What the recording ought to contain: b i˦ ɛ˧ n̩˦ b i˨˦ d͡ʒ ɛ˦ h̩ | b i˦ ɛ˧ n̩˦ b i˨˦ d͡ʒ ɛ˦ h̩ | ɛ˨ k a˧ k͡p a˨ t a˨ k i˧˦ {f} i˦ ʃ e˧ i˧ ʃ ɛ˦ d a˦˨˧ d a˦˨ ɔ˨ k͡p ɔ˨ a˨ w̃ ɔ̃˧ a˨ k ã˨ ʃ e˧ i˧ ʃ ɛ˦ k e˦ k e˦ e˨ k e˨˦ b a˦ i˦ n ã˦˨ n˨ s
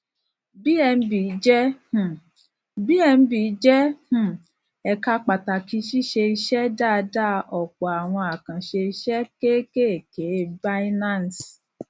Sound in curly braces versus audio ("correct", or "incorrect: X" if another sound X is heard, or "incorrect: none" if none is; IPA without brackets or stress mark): incorrect: ʃ